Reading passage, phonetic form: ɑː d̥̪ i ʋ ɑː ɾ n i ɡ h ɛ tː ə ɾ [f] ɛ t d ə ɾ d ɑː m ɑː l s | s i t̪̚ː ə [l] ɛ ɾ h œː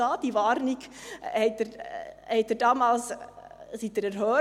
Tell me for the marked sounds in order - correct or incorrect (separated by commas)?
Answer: incorrect, incorrect